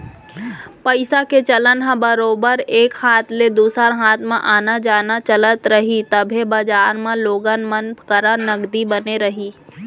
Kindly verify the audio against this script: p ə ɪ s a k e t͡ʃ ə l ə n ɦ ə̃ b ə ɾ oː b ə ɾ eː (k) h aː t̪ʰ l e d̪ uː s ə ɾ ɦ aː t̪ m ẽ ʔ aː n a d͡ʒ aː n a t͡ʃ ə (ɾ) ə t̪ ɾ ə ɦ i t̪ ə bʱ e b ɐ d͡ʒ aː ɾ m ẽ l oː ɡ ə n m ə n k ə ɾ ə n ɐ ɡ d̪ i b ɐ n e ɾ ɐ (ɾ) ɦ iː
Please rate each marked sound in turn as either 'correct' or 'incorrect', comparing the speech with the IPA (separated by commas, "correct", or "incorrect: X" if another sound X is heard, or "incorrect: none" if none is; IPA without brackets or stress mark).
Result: correct, incorrect: l, incorrect: none